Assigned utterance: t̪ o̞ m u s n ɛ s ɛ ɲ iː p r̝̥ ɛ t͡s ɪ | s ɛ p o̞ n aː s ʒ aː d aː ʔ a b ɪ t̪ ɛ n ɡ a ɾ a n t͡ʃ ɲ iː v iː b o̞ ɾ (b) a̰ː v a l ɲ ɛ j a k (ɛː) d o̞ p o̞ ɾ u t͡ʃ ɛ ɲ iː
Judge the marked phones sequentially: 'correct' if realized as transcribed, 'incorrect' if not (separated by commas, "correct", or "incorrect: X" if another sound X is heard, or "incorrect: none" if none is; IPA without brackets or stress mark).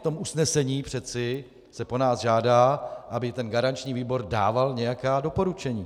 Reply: incorrect: d, incorrect: aː